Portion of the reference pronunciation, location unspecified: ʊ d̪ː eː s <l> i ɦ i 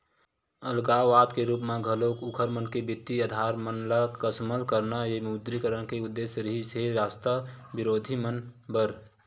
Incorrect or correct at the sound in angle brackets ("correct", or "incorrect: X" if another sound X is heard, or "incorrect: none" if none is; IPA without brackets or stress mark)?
incorrect: ɾ